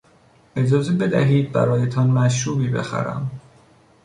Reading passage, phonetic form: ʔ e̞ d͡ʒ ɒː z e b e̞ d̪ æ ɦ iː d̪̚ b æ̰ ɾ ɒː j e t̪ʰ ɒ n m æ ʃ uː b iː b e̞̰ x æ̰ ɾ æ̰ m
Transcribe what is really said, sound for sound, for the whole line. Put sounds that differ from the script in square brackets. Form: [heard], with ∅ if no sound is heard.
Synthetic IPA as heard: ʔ e̞ d͡ʒ ɒː z e b e̞ d̪ æ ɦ iː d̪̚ b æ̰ ɾ ɒː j e t̪ʰ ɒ n m æ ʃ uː b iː b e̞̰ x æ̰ ɾ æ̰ m